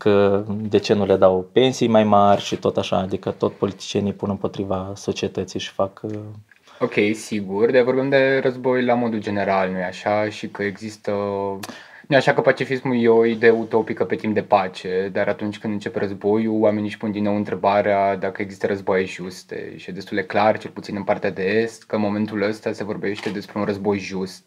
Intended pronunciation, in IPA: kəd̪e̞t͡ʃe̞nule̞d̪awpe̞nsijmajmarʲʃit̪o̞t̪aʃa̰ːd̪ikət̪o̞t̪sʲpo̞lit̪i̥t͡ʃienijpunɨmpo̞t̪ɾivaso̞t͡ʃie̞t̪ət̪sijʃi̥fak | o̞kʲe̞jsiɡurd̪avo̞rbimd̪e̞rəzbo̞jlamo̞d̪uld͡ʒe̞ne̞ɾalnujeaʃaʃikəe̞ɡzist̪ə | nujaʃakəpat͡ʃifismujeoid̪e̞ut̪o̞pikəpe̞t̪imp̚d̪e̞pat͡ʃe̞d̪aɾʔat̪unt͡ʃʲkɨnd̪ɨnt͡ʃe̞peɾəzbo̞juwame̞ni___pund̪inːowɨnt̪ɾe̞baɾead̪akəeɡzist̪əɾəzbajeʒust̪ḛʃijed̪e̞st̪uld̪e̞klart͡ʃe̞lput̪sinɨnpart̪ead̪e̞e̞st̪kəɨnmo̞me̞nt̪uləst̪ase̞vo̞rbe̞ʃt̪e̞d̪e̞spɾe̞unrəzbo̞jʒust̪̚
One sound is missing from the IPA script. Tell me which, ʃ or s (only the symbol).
ʃ